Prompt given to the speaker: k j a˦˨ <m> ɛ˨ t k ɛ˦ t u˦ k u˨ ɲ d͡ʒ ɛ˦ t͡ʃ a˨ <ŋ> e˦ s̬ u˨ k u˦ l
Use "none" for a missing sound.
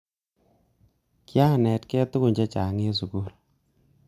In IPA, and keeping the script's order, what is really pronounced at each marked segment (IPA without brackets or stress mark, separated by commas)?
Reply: n, ŋ